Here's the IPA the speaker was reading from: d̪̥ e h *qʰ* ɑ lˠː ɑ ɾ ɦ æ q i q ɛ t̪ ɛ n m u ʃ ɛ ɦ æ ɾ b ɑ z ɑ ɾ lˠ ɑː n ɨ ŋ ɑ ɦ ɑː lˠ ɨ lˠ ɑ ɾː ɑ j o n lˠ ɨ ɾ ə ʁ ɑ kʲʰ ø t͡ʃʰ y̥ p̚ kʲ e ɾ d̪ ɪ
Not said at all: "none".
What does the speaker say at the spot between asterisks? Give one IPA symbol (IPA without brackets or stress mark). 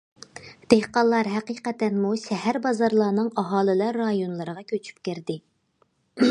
q